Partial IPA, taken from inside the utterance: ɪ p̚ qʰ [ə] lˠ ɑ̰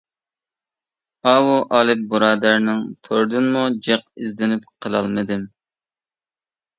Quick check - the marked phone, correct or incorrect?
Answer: correct